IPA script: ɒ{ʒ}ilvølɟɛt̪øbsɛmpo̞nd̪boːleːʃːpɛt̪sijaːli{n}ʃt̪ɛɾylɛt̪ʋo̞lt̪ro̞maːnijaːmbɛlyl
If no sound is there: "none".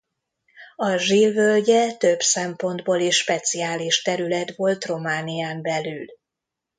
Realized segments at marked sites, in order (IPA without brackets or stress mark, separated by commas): ʒ, none